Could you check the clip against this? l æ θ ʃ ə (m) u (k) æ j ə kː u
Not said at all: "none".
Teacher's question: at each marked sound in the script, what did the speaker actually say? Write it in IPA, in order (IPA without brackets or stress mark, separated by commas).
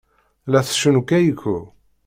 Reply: n, k